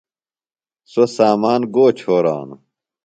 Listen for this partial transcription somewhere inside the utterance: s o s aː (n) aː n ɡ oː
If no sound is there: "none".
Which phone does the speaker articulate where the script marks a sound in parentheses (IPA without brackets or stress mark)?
m